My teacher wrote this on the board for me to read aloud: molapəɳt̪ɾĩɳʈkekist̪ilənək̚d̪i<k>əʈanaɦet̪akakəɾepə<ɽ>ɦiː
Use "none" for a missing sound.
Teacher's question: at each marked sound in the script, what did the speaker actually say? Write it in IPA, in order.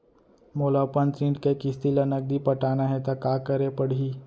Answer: p, ɽ

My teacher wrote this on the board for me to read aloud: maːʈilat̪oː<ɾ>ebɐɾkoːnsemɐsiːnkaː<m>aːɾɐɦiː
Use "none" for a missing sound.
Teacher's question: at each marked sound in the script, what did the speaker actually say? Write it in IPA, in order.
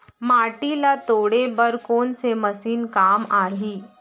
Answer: ɽ, m

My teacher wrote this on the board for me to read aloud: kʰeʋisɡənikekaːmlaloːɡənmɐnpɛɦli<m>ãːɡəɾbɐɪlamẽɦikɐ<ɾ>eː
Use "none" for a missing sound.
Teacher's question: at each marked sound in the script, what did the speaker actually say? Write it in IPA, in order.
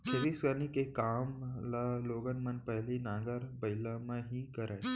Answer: n, ɾ

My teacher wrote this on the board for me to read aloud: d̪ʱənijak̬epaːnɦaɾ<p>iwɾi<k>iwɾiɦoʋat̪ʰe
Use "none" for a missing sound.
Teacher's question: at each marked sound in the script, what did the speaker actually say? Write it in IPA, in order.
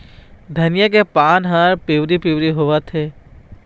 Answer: p, p

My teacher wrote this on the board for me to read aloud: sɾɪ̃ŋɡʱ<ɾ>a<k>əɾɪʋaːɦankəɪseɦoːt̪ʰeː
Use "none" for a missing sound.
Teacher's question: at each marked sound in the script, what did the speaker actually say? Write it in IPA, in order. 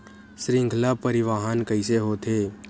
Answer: l, p

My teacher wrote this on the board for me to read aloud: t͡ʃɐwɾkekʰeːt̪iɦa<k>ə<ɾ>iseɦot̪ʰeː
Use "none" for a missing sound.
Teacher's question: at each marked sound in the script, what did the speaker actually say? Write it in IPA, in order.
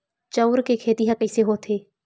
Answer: k, none

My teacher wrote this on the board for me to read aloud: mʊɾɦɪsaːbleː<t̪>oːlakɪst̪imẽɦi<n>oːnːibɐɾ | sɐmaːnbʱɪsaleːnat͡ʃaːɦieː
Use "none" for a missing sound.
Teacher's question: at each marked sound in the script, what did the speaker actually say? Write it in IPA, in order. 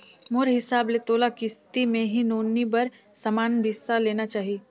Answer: t̪, n

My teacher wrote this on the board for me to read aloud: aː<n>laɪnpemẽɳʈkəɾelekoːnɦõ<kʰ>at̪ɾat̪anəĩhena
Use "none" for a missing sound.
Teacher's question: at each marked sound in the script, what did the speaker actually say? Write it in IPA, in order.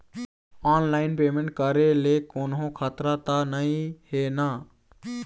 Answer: n, kʰ

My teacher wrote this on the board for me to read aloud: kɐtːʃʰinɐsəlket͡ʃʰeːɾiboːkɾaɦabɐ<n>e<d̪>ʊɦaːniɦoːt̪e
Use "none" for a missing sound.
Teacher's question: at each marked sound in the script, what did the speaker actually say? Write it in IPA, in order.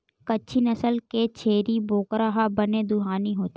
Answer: n, d̪

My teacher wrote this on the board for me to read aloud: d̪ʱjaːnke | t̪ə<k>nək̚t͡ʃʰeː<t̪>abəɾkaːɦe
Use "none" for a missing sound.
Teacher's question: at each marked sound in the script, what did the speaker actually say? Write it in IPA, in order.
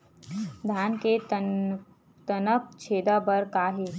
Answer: none, d̪

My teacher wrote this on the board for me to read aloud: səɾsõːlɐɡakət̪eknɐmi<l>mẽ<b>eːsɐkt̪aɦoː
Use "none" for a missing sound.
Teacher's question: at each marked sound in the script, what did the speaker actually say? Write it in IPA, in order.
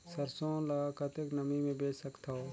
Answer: none, b

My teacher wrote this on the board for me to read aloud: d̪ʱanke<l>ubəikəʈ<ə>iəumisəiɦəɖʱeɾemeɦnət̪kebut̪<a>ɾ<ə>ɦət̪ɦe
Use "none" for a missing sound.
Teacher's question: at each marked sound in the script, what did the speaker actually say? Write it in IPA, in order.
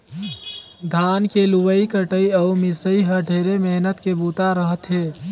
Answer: l, ə, a, ə

